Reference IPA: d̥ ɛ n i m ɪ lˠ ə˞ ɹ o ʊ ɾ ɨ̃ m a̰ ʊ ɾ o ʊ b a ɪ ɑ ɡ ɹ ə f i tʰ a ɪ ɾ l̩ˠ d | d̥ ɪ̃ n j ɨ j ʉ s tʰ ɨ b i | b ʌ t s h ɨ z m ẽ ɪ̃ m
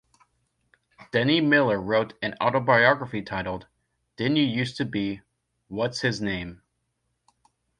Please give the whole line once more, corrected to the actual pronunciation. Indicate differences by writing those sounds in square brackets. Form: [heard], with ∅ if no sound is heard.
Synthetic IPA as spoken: d̥ ɛ n i m ɪ lˠ ə˞ ɹ o ʊ ɾ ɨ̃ [n] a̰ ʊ ɾ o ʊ b a ɪ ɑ ɡ ɹ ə f i tʰ a ɪ ɾ l̩ˠ d | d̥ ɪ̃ n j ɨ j ʉ s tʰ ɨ b i | [w] ʌ t s h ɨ z [n] ẽ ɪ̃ m